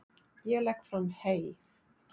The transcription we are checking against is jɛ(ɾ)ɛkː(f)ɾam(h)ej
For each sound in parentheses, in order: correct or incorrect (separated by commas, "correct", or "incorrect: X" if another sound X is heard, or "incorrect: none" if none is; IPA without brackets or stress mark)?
incorrect: l, correct, correct